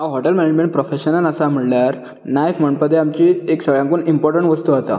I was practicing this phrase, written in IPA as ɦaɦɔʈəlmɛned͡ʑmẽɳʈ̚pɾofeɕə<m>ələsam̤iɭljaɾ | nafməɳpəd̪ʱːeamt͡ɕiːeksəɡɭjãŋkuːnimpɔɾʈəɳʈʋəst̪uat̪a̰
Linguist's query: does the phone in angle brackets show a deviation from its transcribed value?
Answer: yes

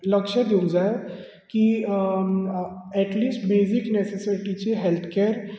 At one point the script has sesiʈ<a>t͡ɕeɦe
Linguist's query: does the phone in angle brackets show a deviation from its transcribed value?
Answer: yes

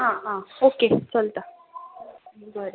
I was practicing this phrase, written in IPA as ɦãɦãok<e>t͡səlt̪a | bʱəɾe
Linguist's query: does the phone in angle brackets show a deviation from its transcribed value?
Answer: no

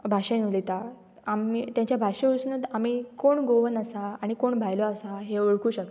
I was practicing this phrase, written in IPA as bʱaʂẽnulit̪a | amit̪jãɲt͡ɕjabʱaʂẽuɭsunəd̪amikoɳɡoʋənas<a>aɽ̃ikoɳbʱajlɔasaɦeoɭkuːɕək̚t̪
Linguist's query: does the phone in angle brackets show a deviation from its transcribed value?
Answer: no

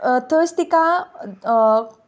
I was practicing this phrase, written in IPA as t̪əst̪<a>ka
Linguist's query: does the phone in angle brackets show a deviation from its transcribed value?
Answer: yes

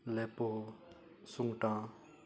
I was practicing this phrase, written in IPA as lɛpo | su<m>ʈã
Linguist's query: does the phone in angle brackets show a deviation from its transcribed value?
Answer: yes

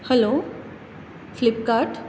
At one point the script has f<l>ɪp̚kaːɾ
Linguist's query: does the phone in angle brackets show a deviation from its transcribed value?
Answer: no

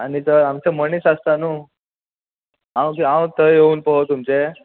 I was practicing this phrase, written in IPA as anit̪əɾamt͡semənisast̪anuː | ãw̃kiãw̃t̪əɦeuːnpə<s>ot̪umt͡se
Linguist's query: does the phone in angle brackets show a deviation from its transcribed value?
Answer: yes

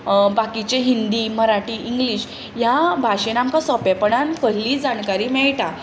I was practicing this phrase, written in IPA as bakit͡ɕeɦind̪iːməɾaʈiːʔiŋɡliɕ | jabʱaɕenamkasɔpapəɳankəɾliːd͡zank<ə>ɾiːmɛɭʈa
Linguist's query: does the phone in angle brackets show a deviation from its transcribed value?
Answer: yes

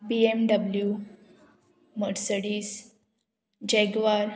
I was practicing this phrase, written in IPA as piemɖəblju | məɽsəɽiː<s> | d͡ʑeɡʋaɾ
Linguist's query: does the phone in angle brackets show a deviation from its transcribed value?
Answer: no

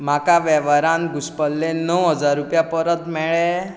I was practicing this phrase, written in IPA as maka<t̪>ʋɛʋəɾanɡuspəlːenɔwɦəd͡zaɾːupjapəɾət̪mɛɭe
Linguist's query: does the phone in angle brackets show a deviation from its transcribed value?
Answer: yes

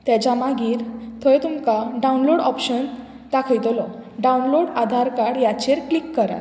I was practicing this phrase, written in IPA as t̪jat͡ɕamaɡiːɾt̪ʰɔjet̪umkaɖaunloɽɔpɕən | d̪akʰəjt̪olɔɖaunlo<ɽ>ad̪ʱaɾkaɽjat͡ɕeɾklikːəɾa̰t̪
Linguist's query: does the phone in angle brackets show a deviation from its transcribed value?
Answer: no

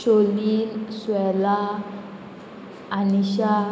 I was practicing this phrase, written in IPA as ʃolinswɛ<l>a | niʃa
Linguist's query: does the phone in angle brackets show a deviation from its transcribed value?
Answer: no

